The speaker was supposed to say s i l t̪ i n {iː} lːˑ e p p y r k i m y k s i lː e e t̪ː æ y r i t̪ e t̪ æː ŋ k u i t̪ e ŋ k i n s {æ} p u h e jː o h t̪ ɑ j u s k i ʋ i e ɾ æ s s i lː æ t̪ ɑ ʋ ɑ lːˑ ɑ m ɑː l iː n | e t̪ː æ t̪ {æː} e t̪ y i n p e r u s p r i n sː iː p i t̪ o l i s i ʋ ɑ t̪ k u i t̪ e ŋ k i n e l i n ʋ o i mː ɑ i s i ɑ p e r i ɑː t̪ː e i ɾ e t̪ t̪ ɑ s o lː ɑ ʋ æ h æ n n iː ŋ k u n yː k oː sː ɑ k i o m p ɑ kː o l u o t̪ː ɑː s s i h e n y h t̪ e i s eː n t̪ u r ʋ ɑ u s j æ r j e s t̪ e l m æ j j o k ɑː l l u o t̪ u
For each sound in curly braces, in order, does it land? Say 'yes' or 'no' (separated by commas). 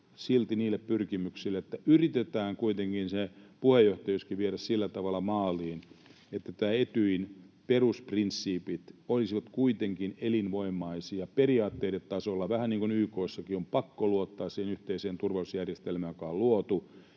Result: yes, no, yes